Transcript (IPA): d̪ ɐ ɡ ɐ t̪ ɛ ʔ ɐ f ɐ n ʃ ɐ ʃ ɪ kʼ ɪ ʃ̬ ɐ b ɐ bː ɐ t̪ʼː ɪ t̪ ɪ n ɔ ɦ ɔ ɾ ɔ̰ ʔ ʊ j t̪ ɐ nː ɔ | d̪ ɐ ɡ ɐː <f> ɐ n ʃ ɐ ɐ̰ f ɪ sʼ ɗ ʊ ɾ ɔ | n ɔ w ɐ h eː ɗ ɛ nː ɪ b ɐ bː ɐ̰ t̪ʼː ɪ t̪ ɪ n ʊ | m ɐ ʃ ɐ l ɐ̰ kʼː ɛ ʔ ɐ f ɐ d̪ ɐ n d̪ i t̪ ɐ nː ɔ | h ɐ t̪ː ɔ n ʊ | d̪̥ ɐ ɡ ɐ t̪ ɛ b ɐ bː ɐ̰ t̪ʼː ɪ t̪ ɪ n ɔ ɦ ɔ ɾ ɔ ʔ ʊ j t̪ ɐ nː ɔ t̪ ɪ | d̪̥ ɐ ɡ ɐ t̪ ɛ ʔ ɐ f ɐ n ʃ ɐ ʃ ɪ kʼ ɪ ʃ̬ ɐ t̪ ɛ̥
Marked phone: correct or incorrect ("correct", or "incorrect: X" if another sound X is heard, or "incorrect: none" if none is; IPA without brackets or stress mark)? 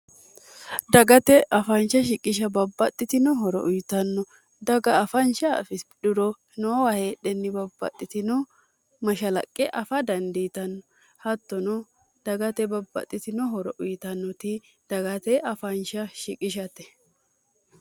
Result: correct